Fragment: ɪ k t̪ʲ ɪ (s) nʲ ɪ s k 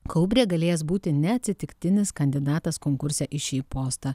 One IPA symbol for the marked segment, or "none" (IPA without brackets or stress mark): none